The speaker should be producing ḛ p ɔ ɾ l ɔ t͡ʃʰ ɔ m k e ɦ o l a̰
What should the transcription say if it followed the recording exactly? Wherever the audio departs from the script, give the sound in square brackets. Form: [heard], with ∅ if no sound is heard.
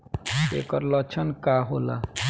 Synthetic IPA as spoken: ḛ [k] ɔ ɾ l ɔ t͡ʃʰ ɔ [n] k [a] ɦ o l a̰